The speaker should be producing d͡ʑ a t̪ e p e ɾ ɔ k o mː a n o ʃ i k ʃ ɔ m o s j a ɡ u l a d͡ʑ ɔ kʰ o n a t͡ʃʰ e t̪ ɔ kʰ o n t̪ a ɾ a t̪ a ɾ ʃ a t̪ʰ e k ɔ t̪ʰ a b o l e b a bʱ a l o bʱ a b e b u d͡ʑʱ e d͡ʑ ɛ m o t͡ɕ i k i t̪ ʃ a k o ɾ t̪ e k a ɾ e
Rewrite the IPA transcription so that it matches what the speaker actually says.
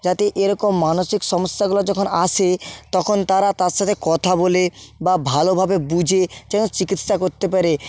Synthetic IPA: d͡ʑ a t̪ e ʔ e ɾ ɔ k o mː a n o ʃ i k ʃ ɔ m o s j a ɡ u l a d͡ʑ ɔ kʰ o n a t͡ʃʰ e t̪ ɔ kʰ o n t̪ a ɾ a t̪ a ɾ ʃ a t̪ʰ e k ɔ t̪ʰ a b o l e b a bʱ a l o bʱ a b e b u d͡ʑʱ e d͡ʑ ɛ n o t͡ɕ i k i t̪ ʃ a k o ɾ t̪ e p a ɾ e